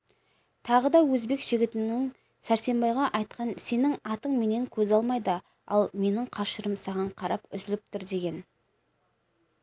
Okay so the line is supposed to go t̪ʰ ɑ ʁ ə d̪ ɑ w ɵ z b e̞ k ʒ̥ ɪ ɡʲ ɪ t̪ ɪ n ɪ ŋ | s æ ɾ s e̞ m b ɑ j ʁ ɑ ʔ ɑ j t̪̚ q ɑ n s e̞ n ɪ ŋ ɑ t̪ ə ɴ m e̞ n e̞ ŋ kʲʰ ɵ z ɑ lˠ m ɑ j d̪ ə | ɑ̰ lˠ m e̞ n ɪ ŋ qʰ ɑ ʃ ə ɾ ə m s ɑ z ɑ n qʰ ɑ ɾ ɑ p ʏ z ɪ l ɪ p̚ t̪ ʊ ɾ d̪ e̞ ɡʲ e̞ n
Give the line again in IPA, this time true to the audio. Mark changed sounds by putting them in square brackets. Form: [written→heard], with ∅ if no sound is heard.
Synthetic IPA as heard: t̪ʰ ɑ ʁ ə d̪ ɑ w ɵ z b e̞ k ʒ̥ ɪ ɡʲ ɪ t̪ ɪ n ɪ ŋ | s æ ɾ s e̞ m b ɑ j ʁ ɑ ʔ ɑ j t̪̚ q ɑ n s e̞ n ɪ ŋ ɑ t̪ ə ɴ m e̞ n e̞ ŋ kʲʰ ɵ z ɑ lˠ m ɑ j d̪ ə | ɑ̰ lˠ m e̞ n ɪ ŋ qʰ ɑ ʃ ə ɾ ə m s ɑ [z→ʁ] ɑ [n→ɴ] qʰ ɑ ɾ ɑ p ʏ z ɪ l ɪ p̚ t̪ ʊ ɾ d̪ e̞ ɡʲ e̞ n